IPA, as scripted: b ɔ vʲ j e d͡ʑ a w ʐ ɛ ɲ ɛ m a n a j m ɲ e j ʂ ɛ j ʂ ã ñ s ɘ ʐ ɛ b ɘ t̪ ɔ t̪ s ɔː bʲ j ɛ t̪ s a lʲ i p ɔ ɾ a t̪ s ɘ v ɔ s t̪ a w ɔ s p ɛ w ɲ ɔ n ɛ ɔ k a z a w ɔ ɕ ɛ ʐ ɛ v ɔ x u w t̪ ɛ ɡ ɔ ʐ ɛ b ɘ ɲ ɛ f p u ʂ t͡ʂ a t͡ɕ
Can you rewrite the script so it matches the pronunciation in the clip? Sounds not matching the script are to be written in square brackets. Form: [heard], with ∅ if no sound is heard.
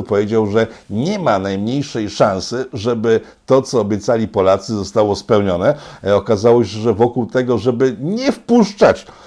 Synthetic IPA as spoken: [p] ɔ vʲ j e d͡ʑ a w ʐ ɛ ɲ ɛ m a n a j m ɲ e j ʂ ɛ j ʂ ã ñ s ɘ ʐ ɛ b ɘ t̪ ɔ t̪ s ɔː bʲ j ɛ t̪ s a lʲ i p ɔ [l] a t̪ s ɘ [z] ɔ s t̪ a w ɔ s p ɛ w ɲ ɔ n ɛ ɔ k a z a w ɔ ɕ ɛ ʐ ɛ v ɔ [k] u w t̪ ɛ ɡ ɔ ʐ ɛ b ɘ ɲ ɛ f p u ʂ t͡ʂ a t͡ɕ